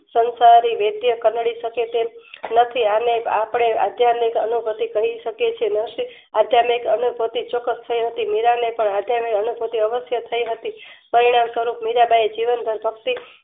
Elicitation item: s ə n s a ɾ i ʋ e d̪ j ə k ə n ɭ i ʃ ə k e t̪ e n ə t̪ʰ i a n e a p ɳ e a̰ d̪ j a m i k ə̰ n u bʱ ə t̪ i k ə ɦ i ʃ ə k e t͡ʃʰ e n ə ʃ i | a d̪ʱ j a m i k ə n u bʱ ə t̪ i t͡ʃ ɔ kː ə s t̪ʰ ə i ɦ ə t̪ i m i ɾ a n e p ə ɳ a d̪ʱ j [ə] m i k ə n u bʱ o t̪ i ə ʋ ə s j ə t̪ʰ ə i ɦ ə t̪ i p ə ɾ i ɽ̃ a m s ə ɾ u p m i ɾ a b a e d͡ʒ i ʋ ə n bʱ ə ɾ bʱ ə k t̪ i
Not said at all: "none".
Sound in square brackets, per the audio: a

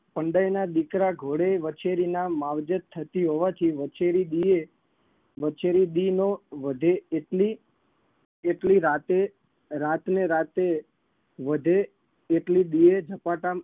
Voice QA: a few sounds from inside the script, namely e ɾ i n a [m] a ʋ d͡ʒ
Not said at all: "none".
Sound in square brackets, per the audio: m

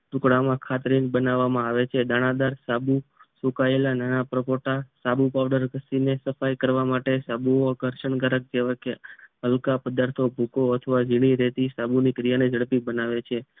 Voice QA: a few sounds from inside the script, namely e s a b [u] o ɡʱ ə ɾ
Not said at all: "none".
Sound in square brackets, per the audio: u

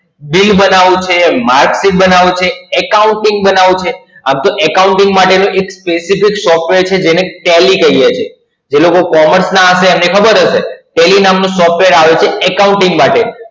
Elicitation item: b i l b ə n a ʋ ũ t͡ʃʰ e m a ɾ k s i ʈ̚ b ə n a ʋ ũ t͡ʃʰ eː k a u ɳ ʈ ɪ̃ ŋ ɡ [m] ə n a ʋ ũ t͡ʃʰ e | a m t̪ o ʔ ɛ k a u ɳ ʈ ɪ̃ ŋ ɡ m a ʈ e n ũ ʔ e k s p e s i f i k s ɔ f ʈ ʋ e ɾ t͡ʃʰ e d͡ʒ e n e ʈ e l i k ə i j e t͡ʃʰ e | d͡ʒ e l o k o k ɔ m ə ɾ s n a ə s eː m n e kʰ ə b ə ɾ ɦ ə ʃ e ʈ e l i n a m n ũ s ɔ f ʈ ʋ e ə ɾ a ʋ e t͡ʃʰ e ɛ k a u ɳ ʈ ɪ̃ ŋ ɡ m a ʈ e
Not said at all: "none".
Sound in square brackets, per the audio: b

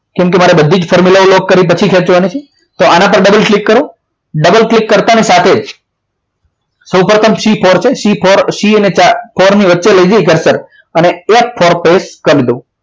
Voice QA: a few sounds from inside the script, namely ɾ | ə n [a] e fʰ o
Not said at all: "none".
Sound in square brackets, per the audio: e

